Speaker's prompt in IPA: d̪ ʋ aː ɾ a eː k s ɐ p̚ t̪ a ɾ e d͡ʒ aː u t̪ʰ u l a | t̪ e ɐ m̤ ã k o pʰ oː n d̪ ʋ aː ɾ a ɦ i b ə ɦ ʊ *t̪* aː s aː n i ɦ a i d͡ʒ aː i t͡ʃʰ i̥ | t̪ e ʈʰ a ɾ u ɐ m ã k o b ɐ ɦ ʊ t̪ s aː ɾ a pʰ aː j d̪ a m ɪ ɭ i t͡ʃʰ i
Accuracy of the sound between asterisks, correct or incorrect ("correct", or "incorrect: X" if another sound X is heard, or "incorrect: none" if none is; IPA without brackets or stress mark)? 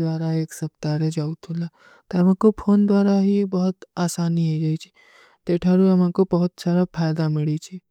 correct